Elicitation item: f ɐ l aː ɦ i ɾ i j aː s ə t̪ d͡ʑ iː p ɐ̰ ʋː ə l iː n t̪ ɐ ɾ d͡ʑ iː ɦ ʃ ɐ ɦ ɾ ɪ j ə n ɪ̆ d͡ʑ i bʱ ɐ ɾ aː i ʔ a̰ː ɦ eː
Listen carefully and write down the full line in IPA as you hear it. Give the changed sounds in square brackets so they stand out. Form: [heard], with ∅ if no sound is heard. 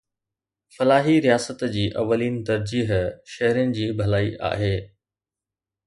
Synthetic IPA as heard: f ɐ l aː ɦ i ɾ i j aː s ə t̪ d͡ʑ iː [ʔ] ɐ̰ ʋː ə l iː n t̪ ɐ ɾ d͡ʑ iː ɦ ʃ ɐ ɦ ɾ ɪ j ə n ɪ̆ d͡ʑ [iː] bʱ ɐ [l] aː i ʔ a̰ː ɦ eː